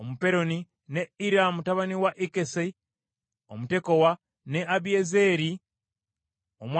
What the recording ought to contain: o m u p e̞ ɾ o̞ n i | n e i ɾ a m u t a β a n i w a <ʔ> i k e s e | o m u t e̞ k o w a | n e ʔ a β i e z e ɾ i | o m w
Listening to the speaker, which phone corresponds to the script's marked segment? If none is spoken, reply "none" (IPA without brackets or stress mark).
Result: ʔ